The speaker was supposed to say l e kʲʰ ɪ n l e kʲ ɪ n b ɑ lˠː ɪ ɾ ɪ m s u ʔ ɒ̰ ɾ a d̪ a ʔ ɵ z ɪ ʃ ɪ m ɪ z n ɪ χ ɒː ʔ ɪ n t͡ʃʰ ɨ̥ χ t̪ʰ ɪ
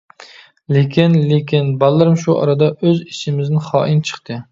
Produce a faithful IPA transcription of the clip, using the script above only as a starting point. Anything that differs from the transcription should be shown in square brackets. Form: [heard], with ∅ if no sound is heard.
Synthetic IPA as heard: l e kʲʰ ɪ n l e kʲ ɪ n b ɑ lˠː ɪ ɾ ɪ m [ʃ] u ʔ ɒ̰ ɾ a d̪ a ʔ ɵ z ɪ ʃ ɪ m ɪ z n ɪ χ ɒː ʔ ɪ n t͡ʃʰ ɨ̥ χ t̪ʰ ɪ